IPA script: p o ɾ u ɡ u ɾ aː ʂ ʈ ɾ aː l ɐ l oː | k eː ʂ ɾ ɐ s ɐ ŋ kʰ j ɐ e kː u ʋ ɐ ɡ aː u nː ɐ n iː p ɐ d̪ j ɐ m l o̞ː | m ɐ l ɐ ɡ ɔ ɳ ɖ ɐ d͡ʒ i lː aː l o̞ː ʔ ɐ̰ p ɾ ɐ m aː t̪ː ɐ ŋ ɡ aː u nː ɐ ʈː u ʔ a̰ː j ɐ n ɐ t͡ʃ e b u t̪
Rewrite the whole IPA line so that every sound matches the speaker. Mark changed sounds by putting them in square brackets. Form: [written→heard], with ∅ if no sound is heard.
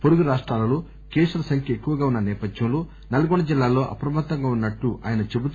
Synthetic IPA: p o ɾ u ɡ u ɾ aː ʂ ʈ ɾ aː l ɐ l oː | k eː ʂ ɾ ɐ s ɐ ŋ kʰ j ɐ e kː u ʋ ɐ ɡ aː u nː ɐ n [iː→ɛː] p ɐ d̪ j ɐ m l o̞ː | [m→n] ɐ l ɐ ɡ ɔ ɳ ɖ ɐ d͡ʒ i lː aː l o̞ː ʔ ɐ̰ p ɾ ɐ m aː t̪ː ɐ ŋ ɡ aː u nː ɐ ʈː u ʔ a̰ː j ɐ n ɐ t͡ʃ e b u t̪